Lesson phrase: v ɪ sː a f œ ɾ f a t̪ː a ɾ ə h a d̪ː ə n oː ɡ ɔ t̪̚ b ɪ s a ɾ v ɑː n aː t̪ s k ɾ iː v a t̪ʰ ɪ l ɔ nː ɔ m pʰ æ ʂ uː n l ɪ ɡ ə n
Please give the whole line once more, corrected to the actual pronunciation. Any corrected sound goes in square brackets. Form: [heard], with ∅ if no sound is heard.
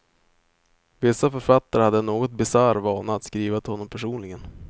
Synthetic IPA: v ɪ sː a f œ ɾ f a t̪ː a ɾ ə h a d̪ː ə n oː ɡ ɔ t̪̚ b ɪ s a ɾ v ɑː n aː t̪ s k ɾ iː v a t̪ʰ ɪ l ɔ nː ɔ m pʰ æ ʂ uː n l ɪ ɡ ə n